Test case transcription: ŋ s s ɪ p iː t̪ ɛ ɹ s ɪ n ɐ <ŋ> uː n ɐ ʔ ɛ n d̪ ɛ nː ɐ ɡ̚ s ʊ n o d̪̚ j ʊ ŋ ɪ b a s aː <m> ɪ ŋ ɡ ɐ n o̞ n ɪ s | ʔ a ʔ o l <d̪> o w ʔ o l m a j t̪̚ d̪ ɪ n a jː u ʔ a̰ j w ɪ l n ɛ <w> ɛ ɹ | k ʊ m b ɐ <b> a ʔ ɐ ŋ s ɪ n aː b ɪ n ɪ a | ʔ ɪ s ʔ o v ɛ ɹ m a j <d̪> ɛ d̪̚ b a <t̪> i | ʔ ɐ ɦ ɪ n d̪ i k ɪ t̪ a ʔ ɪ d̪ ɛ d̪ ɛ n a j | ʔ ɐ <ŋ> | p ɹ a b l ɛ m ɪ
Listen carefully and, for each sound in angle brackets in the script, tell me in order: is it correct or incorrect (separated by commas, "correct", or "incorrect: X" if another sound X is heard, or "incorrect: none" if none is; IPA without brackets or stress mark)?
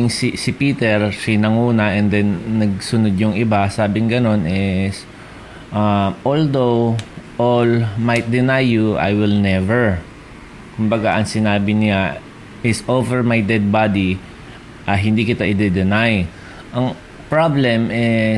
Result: correct, incorrect: b, correct, incorrect: v, incorrect: ɡ, correct, incorrect: d̪, correct